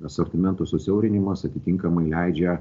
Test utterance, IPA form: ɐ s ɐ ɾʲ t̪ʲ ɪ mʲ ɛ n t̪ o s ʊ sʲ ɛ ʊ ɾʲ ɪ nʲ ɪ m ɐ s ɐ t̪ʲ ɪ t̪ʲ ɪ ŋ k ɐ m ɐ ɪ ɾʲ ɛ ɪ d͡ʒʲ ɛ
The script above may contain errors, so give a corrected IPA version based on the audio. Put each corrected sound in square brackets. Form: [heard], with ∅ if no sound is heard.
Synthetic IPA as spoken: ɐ s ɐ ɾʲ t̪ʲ ɪ mʲ ɛ n t̪ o s ʊ sʲ ɛ ʊ ɾʲ ɪ nʲ ɪ m ɐ s ɐ t̪ʲ ɪ t̪ʲ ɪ ŋ k ɐ m ɐ ɪ [lʲ] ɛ ɪ d͡ʒʲ ɛ